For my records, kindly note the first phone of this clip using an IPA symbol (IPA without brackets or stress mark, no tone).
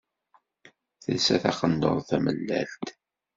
θ